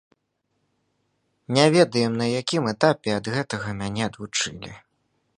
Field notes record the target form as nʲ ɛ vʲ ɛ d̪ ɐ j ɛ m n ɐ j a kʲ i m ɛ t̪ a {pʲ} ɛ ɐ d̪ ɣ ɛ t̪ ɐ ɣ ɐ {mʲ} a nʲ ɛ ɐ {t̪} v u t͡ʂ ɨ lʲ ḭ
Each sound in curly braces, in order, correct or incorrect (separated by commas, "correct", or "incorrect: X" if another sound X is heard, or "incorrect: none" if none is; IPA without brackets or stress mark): correct, correct, incorrect: d̪